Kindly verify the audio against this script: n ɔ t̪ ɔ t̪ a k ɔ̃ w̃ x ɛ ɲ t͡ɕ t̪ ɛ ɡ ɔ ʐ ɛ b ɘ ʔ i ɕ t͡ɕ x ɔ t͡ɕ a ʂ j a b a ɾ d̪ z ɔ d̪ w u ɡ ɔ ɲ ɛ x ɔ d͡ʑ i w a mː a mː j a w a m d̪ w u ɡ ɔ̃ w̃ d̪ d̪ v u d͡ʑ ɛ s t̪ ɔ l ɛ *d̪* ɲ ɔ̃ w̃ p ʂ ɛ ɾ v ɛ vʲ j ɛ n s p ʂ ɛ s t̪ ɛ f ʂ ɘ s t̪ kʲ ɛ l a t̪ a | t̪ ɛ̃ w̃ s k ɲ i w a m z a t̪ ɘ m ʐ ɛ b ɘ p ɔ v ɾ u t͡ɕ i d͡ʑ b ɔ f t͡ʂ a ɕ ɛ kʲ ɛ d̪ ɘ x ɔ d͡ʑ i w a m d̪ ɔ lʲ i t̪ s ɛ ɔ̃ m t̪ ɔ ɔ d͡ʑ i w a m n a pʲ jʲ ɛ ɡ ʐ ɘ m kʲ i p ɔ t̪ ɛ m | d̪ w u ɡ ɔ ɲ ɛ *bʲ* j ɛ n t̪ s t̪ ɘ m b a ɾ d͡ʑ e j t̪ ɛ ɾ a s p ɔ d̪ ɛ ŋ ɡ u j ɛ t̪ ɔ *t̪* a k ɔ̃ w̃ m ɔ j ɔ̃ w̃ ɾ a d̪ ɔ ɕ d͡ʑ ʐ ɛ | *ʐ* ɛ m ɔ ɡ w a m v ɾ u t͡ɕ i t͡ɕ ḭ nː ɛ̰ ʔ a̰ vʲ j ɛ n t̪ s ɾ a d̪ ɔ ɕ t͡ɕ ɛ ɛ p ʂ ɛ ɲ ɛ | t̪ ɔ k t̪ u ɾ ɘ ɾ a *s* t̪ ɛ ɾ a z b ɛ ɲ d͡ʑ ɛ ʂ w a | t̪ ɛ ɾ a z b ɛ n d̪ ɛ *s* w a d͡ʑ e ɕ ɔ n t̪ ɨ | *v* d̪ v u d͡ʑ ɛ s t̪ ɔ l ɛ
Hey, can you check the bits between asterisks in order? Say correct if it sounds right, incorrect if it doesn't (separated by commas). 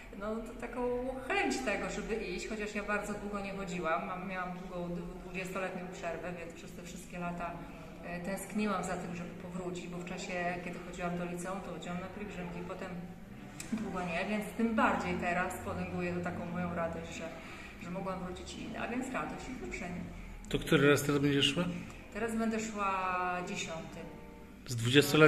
incorrect, incorrect, correct, correct, correct, incorrect, incorrect